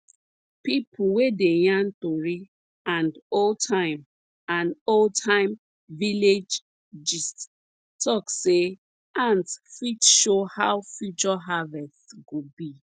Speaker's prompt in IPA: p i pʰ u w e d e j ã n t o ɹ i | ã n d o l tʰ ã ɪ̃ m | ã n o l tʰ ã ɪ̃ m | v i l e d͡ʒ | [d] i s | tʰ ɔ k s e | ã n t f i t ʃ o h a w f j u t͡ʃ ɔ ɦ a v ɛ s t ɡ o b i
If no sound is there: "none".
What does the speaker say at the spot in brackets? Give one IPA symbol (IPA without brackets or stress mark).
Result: d͡ʒ